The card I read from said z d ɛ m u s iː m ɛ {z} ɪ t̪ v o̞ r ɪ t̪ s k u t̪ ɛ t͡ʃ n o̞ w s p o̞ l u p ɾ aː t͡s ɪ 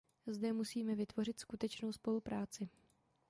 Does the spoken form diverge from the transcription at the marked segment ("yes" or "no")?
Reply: yes